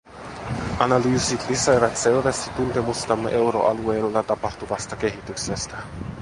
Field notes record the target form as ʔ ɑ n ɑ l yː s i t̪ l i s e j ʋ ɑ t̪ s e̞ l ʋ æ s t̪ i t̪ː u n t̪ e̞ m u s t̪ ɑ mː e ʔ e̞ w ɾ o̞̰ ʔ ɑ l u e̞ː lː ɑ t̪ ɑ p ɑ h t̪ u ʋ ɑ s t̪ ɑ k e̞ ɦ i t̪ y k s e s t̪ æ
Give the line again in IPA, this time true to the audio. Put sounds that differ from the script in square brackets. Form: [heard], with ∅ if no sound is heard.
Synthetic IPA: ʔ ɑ n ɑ l yː s i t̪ l i s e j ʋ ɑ t̪ s e̞ l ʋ æ s t̪ i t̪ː u n t̪ e̞ m u s t̪ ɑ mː e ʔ e̞ w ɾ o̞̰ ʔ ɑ l u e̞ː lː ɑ t̪ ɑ p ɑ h t̪ u ʋ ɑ s t̪ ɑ k e̞ ɦ i t̪ y k s e s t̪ æ

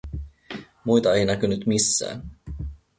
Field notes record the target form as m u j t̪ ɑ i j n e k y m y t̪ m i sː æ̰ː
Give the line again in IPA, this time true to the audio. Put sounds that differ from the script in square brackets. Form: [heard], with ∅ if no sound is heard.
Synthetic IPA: m u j t̪ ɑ [e] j n [æ] k y [n] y t̪ m i sː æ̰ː

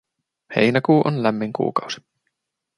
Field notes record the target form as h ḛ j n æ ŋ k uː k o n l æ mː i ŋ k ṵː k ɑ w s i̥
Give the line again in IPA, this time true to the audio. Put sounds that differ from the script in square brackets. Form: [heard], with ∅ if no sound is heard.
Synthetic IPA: h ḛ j n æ [∅] k uː [ʔ] o n l æ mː i ŋ k ṵː k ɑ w s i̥

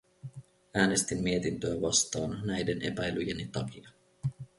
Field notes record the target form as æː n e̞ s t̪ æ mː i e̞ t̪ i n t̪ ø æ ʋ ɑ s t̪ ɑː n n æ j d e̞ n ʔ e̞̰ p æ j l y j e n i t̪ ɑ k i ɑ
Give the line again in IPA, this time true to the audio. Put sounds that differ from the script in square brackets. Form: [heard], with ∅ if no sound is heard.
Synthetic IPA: æː n e̞ s t̪ [i] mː i e̞ t̪ i n t̪ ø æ ʋ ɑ s t̪ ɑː n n æ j d e̞ n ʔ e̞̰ p æ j l y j e n i t̪ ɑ k i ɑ

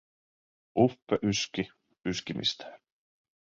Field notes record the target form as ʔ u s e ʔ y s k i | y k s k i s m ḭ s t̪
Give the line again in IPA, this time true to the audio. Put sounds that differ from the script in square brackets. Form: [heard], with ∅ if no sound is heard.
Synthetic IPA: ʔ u [f] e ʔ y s k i | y [∅] s k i [∅] m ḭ s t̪

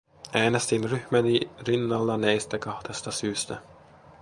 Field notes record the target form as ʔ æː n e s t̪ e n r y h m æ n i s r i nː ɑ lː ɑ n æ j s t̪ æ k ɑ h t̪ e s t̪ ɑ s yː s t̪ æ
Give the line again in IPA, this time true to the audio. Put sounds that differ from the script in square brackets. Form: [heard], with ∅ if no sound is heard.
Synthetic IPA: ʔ æː n e s t̪ [i] n r y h m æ n i [∅] r i nː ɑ lː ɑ n æ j s t̪ æ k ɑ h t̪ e s t̪ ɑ s yː s t̪ æ

